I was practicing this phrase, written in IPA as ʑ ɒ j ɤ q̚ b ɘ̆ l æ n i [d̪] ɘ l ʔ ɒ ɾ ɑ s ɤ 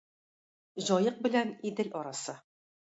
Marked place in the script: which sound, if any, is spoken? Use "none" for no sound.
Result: d̪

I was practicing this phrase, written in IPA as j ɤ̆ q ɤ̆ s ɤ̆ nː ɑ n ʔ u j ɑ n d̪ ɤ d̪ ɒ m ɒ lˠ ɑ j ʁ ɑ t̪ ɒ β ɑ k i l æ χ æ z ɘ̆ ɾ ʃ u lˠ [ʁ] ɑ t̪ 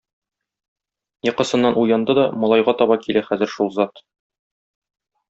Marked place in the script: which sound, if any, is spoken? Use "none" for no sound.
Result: z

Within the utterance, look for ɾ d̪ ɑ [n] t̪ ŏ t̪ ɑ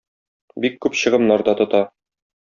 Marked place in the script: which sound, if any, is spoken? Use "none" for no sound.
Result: none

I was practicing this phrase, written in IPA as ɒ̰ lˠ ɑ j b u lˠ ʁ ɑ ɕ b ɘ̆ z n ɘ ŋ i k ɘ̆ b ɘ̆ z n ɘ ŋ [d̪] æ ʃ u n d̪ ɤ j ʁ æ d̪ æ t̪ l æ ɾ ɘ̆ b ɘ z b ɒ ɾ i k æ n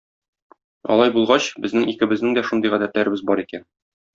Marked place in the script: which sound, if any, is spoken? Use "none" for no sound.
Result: d̪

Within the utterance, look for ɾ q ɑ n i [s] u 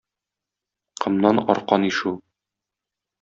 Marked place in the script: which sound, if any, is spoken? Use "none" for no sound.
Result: ʃ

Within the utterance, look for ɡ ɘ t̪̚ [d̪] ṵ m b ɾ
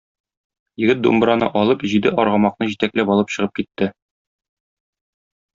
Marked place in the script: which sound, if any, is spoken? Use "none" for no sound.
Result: d̪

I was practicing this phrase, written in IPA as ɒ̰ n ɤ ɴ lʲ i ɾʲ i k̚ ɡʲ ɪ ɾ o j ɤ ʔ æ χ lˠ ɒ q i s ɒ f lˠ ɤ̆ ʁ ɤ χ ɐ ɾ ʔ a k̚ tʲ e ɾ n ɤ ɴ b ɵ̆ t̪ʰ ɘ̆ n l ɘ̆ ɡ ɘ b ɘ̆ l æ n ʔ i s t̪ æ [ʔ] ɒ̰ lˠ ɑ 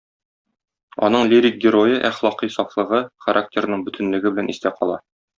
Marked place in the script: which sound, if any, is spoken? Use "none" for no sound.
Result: q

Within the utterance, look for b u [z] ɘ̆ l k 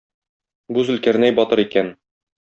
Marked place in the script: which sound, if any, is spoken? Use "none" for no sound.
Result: z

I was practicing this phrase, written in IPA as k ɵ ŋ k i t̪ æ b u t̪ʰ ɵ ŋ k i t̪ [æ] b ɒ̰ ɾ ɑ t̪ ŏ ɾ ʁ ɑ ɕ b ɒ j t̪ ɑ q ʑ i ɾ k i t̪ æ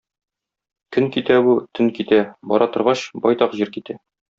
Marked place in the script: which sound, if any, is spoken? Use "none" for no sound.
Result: æ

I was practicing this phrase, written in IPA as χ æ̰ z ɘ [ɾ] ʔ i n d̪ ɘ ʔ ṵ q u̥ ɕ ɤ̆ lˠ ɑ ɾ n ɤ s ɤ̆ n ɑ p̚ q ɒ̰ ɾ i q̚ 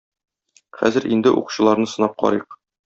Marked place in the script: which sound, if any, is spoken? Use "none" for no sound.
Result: ɾ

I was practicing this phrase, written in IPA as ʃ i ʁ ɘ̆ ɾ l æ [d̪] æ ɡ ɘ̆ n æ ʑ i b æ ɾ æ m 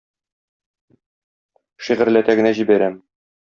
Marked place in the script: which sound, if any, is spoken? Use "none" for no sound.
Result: t̪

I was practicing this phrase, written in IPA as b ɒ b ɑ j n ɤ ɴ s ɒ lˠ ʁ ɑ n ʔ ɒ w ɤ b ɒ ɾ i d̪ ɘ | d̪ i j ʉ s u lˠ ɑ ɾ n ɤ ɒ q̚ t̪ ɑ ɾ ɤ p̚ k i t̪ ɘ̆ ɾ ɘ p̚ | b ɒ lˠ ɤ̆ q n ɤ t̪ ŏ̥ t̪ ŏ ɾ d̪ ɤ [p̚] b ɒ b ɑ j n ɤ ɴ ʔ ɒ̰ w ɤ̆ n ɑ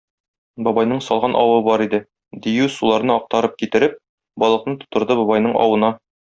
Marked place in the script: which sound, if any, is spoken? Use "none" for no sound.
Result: none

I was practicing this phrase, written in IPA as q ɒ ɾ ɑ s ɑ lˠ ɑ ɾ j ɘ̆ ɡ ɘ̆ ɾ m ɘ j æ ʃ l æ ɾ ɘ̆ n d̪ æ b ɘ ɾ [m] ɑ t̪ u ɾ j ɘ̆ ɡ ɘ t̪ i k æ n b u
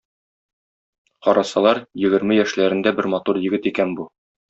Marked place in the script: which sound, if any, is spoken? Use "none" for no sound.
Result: m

